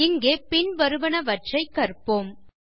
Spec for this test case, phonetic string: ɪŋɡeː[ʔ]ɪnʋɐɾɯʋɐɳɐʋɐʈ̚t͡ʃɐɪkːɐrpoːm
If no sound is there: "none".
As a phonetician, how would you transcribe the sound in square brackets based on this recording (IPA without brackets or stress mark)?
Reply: p